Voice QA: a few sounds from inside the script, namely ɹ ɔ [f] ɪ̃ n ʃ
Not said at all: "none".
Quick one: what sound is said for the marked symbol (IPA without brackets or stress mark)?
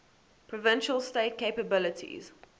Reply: v